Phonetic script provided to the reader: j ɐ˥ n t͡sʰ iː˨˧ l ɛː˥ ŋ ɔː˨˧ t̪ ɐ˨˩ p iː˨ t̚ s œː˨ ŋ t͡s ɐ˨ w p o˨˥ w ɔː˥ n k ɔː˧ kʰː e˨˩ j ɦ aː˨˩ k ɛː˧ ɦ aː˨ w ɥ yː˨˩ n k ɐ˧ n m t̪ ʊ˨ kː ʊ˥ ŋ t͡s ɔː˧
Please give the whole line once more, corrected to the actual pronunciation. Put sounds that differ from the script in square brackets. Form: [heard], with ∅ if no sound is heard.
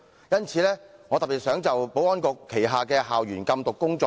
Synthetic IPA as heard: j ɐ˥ n t͡sʰ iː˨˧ l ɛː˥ ŋ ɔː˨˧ t̪ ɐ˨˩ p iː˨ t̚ s [œː˨˥] ŋ t͡s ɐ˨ w p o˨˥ w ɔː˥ n k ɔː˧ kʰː e˨˩ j ɦ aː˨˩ k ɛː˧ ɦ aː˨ w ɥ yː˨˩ n k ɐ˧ [∅] m t̪ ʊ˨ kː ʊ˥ ŋ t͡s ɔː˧